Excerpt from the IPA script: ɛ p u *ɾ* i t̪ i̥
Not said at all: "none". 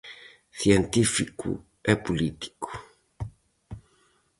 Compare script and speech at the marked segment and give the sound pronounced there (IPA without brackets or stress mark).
l